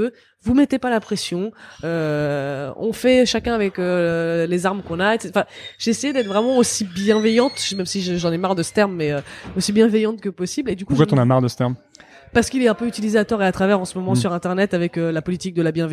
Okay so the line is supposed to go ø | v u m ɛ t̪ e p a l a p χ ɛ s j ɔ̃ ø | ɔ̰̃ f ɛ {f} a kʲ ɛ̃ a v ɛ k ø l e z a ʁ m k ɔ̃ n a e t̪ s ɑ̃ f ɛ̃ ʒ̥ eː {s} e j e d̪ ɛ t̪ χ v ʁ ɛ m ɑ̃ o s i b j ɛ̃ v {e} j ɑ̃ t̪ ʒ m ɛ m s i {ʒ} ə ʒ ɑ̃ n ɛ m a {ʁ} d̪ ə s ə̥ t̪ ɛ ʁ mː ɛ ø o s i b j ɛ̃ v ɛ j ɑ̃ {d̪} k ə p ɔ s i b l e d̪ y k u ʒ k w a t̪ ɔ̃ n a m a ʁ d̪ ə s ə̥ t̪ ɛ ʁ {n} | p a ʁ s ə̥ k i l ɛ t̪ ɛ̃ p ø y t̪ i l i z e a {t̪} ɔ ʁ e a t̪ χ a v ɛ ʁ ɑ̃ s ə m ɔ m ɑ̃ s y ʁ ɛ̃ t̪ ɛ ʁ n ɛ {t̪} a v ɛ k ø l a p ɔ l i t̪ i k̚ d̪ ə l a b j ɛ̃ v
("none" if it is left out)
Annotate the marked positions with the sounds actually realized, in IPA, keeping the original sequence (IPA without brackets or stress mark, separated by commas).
ʃ, s, ɛ, ʒ, ʁ, t̪, m, t̪, t̪